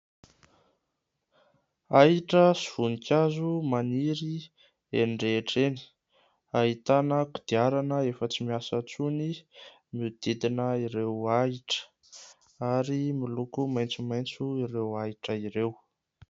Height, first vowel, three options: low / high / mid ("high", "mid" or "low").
low